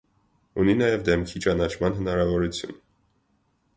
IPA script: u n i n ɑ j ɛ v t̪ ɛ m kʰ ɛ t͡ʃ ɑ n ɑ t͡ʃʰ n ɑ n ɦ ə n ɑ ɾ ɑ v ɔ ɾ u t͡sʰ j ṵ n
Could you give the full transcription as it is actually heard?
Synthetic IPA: u n i n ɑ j ɛ v d̪ ɛ m kʰ i t͡ʃ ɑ n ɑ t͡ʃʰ m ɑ n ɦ ə n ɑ ɾ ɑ v ɔ ɾ u t͡sʰ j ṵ n